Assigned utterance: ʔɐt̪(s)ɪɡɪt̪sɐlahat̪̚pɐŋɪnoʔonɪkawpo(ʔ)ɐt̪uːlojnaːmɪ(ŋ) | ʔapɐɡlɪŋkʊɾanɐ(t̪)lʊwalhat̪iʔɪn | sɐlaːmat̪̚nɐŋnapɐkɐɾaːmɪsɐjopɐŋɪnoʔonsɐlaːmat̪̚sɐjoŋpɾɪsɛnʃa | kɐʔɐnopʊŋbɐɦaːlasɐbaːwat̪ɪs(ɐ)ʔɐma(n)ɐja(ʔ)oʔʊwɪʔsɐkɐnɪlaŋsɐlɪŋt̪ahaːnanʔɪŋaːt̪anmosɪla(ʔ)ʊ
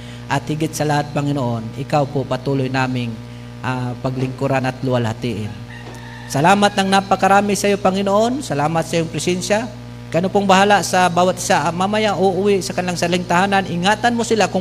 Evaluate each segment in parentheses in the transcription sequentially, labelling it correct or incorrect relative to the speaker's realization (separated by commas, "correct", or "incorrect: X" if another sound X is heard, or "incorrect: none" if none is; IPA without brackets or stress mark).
incorrect: h, incorrect: p, correct, correct, incorrect: a, incorrect: m, correct, incorrect: k